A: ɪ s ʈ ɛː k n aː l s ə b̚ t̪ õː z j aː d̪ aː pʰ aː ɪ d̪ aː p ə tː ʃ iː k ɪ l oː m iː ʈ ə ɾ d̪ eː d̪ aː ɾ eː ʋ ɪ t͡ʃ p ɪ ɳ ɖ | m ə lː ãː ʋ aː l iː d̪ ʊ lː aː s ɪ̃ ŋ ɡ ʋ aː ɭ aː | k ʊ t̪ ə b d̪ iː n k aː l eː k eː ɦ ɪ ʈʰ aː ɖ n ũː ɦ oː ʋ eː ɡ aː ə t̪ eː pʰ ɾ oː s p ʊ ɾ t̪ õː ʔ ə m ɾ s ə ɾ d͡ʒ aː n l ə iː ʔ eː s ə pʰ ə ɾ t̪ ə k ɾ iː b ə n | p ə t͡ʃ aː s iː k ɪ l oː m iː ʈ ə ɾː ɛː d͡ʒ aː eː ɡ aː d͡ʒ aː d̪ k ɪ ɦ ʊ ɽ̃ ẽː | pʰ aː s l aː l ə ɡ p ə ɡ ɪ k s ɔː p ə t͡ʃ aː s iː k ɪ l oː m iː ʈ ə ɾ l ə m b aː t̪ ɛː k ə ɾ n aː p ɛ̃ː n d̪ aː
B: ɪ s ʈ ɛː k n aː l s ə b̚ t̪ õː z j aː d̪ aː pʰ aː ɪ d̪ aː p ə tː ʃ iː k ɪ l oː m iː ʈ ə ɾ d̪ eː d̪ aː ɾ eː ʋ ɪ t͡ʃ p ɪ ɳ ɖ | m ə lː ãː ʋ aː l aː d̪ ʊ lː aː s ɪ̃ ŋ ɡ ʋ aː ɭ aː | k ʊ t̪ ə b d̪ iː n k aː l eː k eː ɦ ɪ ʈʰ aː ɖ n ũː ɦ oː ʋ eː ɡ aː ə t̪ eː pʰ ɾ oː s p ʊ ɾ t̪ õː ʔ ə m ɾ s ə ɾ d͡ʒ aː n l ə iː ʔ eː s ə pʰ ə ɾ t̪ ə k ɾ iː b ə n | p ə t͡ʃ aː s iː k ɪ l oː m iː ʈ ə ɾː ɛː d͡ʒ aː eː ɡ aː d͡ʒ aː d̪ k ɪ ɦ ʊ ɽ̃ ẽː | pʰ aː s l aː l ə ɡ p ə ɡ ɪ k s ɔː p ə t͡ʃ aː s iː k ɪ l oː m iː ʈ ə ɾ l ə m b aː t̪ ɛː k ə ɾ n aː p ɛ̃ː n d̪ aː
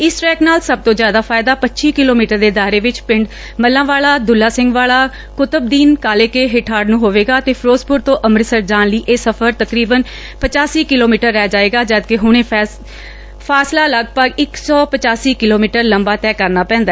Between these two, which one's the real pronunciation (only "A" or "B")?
B